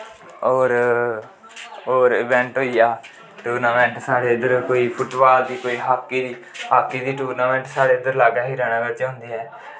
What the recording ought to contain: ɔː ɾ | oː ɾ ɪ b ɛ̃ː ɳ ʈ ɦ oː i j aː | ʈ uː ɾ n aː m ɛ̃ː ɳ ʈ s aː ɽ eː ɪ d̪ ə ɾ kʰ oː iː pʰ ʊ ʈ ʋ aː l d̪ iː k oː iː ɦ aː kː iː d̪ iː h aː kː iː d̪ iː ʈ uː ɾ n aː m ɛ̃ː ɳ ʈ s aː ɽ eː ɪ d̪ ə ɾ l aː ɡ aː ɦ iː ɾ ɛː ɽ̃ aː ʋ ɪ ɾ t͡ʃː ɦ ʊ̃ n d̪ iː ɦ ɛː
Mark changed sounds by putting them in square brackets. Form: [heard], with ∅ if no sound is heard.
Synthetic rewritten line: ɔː ɾ | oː ɾ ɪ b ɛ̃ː ɳ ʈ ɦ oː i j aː | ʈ uː ɾ n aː m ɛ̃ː ɳ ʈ s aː ɽ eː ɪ d̪ ə ɾ [k] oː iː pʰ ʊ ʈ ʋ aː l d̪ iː k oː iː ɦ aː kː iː d̪ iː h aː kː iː d̪ iː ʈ uː ɾ n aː m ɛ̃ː ɳ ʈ s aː ɽ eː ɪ d̪ ə ɾ l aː ɡ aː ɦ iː ɾ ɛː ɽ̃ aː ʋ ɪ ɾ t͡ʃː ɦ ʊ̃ n d̪ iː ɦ ɛː